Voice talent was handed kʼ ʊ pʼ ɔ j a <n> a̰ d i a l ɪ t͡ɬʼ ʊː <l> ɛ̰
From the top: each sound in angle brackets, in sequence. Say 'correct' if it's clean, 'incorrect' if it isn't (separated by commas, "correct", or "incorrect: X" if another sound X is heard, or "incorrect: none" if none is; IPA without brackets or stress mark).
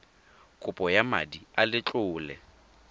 incorrect: m, correct